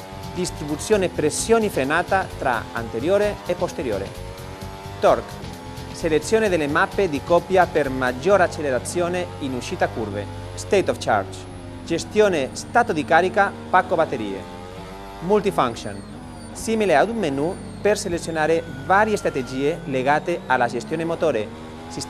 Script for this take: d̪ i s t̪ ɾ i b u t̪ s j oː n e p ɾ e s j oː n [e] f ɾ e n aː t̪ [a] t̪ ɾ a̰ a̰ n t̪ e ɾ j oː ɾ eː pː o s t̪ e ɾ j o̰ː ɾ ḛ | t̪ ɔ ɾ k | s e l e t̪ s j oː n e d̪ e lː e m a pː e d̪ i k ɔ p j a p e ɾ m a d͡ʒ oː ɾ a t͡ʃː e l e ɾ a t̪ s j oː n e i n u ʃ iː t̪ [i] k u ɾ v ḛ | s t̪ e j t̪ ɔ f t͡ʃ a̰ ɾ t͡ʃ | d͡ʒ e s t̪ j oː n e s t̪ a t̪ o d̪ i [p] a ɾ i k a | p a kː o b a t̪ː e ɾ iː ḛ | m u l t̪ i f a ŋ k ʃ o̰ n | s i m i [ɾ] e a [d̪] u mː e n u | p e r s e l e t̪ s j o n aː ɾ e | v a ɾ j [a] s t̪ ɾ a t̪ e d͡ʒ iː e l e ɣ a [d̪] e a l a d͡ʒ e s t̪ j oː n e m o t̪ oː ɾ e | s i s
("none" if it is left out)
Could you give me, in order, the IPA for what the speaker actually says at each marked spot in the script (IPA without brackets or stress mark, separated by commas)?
i, a, a, k, l, d̪, e, t̪